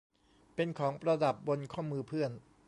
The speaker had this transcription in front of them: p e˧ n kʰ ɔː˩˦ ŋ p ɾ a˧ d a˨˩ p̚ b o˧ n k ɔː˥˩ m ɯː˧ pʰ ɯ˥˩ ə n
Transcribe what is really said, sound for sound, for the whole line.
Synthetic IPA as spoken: p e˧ n kʰ ɔː˩˦ ŋ p ɾ a˧ d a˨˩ p̚ b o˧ n kʰ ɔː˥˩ m ɯː˧ pʰ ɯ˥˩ ə n